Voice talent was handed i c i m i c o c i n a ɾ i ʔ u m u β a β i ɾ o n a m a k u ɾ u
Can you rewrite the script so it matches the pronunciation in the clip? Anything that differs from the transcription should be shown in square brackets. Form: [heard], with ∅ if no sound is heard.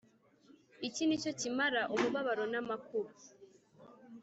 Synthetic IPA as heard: i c i [n] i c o c i [m] a ɾ [a] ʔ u m u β a β [a] ɾ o n a m a k u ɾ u